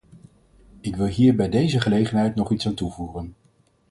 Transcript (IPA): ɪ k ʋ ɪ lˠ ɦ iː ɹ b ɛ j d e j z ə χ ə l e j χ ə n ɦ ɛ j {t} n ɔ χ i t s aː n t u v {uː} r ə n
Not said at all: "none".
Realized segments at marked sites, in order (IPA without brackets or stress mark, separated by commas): t, uː